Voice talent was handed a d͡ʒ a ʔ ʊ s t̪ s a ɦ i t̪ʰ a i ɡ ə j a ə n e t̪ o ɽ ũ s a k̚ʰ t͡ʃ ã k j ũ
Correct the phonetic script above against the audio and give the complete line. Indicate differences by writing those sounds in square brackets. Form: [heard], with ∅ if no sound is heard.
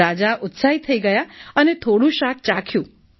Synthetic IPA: a d͡ʒ a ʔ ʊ [∅] t̪ s a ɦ i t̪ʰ [ə] i ɡ ə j a ə n e [t̪ʰ] o ɽ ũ [ʃ] a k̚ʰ t͡ʃ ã [kʰ] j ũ